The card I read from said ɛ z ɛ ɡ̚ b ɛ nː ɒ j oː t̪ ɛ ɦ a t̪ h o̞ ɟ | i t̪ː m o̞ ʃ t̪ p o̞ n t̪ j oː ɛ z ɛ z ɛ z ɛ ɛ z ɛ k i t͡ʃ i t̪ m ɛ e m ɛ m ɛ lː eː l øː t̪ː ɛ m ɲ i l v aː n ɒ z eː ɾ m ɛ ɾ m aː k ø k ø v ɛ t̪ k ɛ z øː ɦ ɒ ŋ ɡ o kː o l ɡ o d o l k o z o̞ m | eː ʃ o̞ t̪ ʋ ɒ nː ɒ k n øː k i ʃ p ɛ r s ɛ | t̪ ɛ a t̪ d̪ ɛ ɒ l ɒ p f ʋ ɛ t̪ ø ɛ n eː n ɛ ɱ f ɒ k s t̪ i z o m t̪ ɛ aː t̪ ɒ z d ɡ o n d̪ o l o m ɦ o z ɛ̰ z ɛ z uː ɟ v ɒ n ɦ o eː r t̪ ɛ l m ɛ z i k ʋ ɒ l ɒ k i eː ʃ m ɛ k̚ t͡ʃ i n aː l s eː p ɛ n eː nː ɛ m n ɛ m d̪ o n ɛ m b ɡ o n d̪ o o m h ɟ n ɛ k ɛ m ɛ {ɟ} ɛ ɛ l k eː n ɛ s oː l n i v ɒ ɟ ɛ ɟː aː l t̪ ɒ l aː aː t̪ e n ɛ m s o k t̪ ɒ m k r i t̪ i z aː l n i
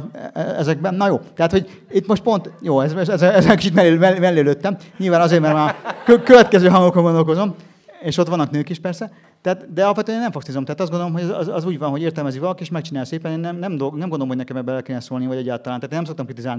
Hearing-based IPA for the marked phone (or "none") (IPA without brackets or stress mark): b